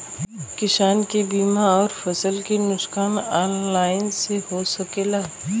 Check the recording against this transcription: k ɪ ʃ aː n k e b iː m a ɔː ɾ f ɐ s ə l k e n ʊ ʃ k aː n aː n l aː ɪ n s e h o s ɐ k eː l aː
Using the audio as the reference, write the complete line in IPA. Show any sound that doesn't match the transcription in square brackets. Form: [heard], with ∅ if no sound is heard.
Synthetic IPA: k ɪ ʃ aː n k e b iː m a ɔː ɾ f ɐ s ə l k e n ʊ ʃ k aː n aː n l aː ɪ n s e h o s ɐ k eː l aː